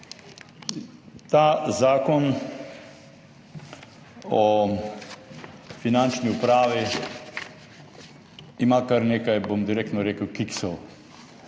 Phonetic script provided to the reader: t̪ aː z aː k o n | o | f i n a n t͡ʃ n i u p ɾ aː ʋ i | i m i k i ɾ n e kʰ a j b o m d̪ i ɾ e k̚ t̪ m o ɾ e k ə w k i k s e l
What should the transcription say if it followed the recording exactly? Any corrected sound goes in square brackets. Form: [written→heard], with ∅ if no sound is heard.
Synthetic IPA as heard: t̪ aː z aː k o n | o | f i n a n t͡ʃ n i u p ɾ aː ʋ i | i m [i→a] k [i→a] ɾ n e [kʰ→k] a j b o m d̪ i ɾ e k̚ t̪ [m→n] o ɾ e k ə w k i k s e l